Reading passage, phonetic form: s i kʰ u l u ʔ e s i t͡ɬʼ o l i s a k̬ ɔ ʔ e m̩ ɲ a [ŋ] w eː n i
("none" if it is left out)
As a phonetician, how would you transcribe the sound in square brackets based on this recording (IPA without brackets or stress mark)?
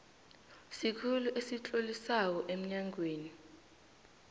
ŋ